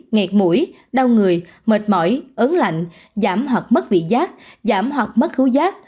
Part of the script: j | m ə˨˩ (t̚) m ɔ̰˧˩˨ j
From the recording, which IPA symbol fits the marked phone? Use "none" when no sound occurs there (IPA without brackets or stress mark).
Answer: t̚